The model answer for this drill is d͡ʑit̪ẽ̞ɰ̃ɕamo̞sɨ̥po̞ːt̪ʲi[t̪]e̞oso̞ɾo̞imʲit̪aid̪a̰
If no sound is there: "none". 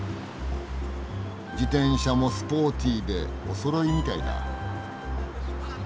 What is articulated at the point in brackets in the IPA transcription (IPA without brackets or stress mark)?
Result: d̪